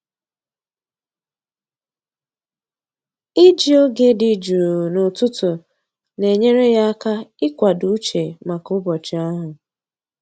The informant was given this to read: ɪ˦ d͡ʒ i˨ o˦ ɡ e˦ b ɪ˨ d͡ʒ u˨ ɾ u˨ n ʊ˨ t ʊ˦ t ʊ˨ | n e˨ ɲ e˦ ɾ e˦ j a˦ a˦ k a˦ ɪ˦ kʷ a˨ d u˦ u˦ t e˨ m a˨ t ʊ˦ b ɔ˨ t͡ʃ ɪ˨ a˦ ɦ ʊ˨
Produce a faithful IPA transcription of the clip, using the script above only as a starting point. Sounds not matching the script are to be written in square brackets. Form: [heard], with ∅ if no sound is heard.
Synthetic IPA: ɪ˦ d͡ʒ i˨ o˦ ɡ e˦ [d] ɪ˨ d͡ʒ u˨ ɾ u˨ n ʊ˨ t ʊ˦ t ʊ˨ | n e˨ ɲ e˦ ɾ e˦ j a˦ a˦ k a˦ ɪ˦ kʷ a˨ d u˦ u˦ [t͡ʃ] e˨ m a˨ [k] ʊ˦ b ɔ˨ t͡ʃ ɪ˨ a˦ ɦ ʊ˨